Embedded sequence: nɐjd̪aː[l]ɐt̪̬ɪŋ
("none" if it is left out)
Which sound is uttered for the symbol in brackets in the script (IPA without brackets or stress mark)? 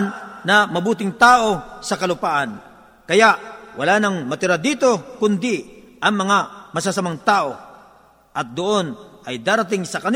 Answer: ɾ